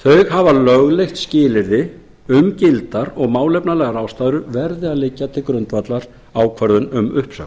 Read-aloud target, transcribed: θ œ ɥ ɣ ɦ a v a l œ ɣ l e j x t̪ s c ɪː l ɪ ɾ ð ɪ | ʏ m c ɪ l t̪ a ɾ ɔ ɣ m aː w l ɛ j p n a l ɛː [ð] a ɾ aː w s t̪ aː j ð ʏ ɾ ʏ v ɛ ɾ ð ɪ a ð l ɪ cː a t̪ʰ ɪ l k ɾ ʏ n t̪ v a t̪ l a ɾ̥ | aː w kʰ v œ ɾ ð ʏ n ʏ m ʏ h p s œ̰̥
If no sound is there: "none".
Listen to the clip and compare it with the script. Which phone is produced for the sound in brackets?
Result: ɣ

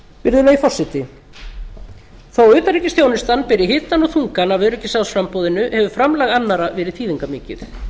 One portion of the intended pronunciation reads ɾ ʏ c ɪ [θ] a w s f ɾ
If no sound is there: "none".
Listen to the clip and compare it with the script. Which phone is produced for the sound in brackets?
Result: s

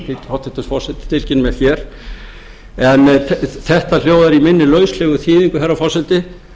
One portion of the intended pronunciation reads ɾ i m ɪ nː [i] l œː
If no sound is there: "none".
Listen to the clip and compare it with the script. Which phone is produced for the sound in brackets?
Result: ɪ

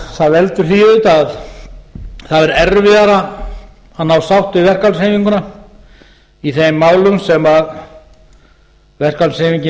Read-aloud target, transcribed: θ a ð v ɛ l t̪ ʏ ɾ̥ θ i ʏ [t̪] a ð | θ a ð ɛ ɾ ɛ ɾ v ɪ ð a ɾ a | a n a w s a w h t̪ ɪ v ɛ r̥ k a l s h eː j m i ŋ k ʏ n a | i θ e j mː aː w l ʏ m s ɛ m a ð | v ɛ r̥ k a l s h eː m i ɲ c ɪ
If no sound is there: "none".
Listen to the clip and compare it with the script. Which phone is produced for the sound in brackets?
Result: t̪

